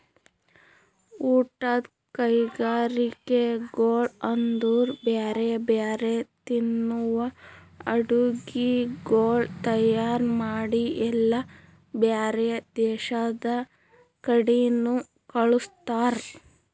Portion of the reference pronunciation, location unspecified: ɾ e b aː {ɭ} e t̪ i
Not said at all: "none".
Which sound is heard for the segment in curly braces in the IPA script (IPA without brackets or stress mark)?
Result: ɾ